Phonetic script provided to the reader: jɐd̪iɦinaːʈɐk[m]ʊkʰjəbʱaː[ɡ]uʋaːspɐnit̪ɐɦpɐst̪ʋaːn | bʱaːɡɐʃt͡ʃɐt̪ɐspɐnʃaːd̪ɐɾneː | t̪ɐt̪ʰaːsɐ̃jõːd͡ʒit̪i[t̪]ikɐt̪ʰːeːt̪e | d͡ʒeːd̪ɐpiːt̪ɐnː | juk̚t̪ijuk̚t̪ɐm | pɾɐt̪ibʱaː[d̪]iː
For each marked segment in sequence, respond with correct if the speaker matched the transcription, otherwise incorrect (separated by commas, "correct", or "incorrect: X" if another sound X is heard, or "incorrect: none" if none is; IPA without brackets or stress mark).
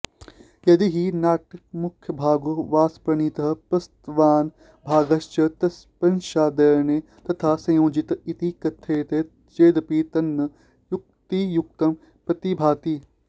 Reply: correct, correct, correct, incorrect: t̪